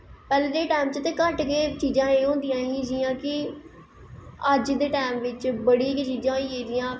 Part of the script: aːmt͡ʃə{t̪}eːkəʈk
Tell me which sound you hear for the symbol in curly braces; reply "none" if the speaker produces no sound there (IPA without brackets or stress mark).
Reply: t̪